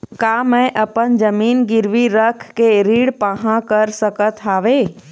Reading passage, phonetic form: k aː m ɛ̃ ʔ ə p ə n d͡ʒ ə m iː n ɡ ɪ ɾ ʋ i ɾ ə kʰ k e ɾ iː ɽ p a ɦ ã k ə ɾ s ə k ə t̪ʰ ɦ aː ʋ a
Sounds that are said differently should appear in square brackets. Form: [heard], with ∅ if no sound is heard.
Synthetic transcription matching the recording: k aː m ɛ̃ ʔ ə p ə n d͡ʒ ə m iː n ɡ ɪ ɾ ʋ i ɾ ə kʰ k e ɾ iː ɽ p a ɦ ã k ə ɾ s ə k ə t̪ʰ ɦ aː ʋ [e]